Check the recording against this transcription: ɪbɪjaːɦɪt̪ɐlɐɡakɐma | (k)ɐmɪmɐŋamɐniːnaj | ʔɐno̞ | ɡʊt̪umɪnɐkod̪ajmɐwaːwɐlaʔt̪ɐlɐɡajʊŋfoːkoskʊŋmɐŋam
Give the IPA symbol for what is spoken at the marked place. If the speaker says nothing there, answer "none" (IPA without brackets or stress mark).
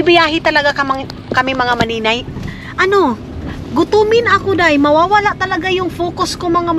k